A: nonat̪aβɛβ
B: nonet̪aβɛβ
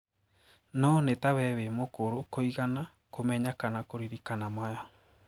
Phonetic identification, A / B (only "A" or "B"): B